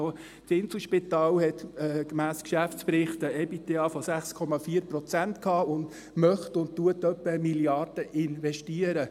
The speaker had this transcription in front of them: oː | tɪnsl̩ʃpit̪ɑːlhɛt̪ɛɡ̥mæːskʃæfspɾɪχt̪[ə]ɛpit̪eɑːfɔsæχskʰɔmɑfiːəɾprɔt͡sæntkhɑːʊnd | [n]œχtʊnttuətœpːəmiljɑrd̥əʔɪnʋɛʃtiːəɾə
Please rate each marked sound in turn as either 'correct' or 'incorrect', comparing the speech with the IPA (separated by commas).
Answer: correct, incorrect